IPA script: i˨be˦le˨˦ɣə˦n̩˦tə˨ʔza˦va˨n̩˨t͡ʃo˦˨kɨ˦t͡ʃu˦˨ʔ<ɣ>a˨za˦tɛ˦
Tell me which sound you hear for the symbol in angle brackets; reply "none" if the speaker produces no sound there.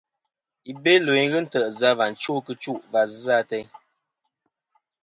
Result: v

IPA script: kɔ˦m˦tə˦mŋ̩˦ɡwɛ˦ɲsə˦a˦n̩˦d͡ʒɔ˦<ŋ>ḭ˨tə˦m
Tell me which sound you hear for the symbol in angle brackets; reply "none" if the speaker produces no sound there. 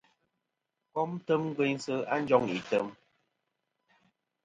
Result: ŋ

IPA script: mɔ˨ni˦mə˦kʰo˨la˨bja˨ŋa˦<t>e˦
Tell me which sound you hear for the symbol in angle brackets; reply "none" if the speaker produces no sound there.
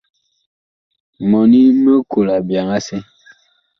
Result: s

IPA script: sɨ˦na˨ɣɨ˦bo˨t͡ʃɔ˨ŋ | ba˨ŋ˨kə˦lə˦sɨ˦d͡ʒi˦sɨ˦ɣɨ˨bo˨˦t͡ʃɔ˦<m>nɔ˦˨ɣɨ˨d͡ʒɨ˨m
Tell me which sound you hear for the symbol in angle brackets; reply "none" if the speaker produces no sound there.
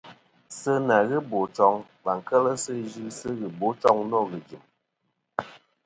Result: ŋ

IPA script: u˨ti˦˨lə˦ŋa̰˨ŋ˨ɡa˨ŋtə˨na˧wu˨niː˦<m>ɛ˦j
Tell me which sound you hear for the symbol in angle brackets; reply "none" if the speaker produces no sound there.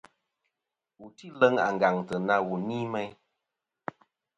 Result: m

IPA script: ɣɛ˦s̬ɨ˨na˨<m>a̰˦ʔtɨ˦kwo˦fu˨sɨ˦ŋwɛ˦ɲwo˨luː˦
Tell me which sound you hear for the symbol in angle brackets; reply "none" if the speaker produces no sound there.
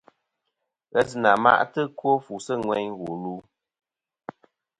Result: m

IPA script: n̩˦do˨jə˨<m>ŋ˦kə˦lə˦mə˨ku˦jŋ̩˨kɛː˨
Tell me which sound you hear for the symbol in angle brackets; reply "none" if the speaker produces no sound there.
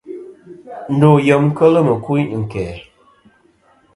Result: m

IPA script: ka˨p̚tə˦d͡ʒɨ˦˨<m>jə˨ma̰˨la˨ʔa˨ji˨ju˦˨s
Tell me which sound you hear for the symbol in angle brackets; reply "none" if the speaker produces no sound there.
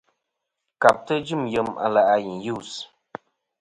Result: m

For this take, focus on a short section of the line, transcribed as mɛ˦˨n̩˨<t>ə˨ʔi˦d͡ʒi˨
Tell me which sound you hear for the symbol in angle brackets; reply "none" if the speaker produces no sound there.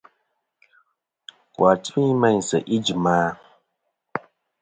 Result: s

